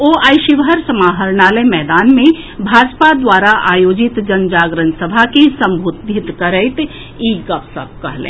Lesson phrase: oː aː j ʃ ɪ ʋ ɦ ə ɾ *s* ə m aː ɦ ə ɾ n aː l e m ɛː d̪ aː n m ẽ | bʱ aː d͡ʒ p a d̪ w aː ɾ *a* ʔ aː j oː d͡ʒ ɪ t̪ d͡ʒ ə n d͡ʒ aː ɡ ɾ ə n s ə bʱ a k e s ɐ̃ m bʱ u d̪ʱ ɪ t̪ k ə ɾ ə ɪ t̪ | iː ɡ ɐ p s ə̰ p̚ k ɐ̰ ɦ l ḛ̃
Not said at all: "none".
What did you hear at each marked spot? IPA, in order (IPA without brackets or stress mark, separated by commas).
s, a